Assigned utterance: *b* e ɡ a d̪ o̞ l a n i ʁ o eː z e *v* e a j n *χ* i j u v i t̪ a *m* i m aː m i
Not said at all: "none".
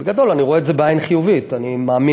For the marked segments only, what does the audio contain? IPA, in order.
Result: b, b, χ, n

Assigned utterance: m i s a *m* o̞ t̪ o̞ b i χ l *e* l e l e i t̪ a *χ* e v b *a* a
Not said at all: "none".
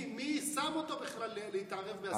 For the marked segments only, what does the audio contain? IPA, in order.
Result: m, a, ʁ, e

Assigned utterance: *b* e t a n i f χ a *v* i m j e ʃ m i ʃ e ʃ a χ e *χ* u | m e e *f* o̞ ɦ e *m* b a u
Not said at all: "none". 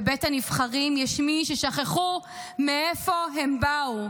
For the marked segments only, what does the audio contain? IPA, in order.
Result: b, ʁ, χ, f, m

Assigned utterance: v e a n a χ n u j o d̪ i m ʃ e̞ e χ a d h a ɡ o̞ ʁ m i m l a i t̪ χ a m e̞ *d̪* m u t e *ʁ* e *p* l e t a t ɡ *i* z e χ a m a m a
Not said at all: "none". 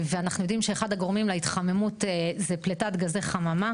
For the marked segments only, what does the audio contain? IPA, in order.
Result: none, z, p, a

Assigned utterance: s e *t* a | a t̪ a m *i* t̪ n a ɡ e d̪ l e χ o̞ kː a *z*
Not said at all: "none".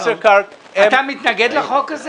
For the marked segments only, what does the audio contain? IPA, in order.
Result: k, i, z

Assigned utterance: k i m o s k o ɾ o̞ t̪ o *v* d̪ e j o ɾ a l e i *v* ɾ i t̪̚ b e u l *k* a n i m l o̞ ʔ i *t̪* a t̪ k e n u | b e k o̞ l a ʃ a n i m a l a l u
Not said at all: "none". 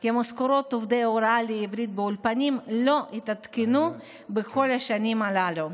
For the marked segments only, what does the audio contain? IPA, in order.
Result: v, v, p, t̪

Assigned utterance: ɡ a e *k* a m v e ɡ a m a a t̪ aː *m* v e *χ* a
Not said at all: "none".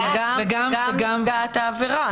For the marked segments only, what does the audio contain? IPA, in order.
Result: ɡ, none, ʁ

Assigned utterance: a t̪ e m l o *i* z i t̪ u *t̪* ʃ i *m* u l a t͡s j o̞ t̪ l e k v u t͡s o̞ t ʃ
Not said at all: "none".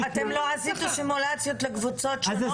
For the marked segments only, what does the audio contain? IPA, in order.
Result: a, none, m

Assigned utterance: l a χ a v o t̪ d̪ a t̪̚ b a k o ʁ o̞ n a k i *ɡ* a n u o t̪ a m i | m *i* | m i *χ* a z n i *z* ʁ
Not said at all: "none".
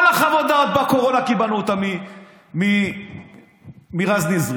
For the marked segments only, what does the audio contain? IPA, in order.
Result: b, i, ʁ, z

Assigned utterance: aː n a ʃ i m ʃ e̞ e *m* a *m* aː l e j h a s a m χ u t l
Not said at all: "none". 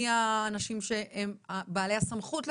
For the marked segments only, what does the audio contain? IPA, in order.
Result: m, b

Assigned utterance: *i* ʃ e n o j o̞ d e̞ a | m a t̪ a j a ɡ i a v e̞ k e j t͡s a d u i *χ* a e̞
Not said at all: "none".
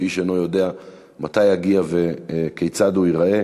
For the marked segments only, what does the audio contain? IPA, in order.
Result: i, ʁ

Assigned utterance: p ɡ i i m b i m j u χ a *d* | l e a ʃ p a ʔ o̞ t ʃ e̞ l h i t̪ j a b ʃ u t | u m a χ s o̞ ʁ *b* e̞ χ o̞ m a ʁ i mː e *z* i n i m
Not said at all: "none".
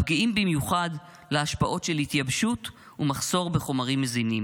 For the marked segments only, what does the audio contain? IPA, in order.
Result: d, b, z

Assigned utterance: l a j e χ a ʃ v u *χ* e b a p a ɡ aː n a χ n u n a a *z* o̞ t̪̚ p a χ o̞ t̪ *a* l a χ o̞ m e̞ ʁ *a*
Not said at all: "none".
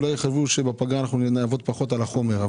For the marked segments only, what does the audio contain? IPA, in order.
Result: ʃ, v, a, a

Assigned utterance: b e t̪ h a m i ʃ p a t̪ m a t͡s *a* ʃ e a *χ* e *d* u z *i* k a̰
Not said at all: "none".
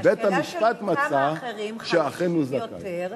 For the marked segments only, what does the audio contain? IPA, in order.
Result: a, χ, n, a

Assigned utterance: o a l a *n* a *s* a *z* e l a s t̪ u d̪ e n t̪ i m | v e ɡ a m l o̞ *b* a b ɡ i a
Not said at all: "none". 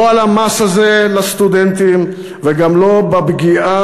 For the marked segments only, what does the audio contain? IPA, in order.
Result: m, s, z, b

